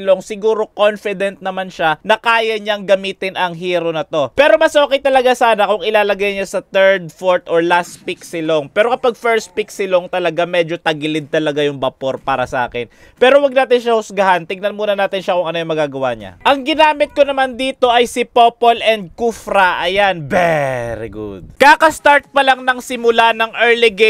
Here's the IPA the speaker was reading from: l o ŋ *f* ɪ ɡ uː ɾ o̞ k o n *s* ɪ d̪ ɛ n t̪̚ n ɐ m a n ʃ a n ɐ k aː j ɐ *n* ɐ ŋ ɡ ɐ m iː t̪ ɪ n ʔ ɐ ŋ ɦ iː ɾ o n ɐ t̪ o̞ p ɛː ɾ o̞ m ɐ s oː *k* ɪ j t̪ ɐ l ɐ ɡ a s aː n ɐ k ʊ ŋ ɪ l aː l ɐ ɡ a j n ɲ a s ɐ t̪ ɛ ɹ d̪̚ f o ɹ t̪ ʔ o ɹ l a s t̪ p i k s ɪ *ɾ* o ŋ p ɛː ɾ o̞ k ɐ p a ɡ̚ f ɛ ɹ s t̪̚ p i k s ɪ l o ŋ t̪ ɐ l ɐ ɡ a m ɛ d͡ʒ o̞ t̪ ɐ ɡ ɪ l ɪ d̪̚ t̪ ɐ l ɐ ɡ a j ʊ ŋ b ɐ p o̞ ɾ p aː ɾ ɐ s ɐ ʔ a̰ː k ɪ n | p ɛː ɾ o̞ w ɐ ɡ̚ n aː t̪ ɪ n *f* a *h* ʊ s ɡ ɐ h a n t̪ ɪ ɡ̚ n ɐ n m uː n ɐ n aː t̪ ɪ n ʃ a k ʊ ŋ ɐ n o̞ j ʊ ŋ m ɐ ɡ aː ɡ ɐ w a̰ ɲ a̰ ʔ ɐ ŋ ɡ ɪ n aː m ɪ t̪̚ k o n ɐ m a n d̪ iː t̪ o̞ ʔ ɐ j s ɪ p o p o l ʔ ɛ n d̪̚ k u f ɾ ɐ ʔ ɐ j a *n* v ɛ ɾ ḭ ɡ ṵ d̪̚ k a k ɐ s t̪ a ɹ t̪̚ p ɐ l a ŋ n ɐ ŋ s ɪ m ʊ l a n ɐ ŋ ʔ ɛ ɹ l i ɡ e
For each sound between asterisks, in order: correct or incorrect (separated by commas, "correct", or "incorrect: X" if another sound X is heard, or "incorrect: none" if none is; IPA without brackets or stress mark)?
incorrect: s, incorrect: f, incorrect: ɲ, correct, incorrect: l, incorrect: ʃ, correct, correct